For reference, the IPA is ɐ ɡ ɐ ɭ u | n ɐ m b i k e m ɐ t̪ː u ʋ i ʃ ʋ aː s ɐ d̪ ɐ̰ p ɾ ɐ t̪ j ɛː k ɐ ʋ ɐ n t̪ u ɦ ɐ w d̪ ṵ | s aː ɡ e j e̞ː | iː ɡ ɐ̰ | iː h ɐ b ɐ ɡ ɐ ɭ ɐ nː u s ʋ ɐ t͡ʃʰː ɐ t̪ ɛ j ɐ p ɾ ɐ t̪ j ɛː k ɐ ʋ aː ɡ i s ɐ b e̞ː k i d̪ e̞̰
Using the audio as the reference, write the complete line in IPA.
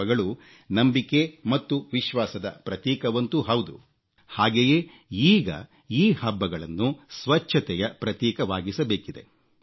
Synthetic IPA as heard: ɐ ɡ ɐ ɭ u | n ɐ m b i k e m ɐ t̪ː u ʋ i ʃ ʋ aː s ɐ d̪ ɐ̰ p ɾ ɐ t̪ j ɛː k ɐ ʋ ɐ n t̪ u ɦ ɐ w d̪ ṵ | h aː ɡ e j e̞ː | iː ɡ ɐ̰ | iː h ɐ bː ɐ ɡ ɐ ɭ ɐ nː u s ʋ ɐ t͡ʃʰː ɐ t̪ ɛ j ɐ p ɾ ɐ t̪ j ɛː k ɐ ʋ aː ɡ i s ɐ b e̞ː k i d̪ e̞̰

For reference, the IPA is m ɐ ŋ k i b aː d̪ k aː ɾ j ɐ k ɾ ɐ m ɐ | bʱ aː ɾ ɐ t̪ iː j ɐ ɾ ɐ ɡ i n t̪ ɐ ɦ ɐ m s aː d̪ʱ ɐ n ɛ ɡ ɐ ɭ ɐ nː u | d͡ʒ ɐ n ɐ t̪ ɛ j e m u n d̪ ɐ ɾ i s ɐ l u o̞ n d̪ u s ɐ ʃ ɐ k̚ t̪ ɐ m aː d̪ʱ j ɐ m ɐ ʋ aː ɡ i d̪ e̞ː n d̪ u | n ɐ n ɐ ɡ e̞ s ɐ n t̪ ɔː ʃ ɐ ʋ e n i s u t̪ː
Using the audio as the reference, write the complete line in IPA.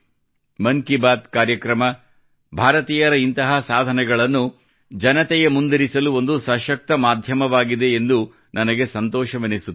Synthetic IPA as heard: m ɐ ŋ k i b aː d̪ k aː ɾ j ɐ k ɾ ɐ m ɐ | bʱ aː ɾ ɐ t̪ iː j ɐ ɾ ɐ i n t̪ ɐ ɦ ɐ s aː d̪ʱ ɐ n ɛ ɡ ɐ ɭ ɐ nː u | d͡ʒ ɐ n ɐ t̪ ɛ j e m u n d̪ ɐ ɾ i s ɐ l u o̞ n d̪ u s ɐ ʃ ɐ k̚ t̪ ɐ m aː d̪ʱ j ɐ m ɐ ʋ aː ɡ i d̪ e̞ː n d̪ u | n ɐ n ɐ ɡ e̞ s ɐ n t̪ ɔː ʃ ɐ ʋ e n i s u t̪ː

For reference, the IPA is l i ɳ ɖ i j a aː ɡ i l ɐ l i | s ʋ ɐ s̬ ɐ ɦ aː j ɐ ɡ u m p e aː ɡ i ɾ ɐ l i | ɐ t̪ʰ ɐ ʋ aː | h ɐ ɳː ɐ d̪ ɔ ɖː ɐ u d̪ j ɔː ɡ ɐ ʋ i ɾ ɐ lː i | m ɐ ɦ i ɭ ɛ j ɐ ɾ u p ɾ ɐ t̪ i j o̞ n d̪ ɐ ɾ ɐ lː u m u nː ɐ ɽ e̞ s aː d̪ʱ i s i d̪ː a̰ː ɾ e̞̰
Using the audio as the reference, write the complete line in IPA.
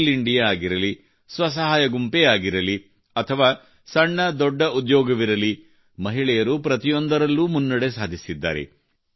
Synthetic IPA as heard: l i ɳ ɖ i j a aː ɡ i ɾ ɐ l i | s ʋ ɐ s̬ ɐ ɦ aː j ɐ ɡ u m p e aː ɡ i ɾ ɐ l i | ɐ t̪ʰ ɐ ʋ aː | s ɐ ɳː ɐ d̪ ɔ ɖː ɐ u d̪ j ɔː ɡ ɐ ʋ i ɾ ɐ l i | m ɐ ɦ i ɭ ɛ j ɐ ɾ u p ɾ ɐ t̪ i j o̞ n d̪ ɐ ɾ ɐ lː u m u nː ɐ ɽ e̞ s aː d̪ʱ i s i d̪ː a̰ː ɾ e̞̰

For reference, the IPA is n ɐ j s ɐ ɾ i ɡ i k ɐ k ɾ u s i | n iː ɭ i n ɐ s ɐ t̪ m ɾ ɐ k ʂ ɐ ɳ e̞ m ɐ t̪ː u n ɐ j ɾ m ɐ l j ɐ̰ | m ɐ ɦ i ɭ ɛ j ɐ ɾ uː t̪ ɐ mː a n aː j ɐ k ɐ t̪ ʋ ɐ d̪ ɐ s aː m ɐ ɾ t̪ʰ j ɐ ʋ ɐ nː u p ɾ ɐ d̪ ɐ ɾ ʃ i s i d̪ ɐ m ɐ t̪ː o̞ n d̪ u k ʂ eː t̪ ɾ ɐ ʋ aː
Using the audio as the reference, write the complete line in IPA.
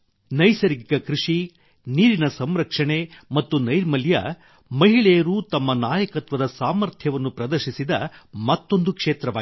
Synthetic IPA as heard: n ɐ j s ɐ ɾ i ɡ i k ɐ k ɾ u ʂ i | n iː ɾ i n ɐ s ɐ m ɾ ɐ k ʂ ɐ ɳ e̞ m ɐ t̪ː u n ɐ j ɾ m ɐ l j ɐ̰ | m ɐ ɦ i ɭ ɛ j ɐ ɾ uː t̪ ɐ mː ɐ n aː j ɐ k ɐ t̪ ʋ ɐ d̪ ɐ s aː m ɐ ɾ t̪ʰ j ɐ ʋ ɐ nː u p ɾ ɐ d̪ ɐ ɾ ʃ i s i d̪ ɐ m ɐ t̪ː o̞ n d̪ u k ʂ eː t̪ ɾ ɐ ʋ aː

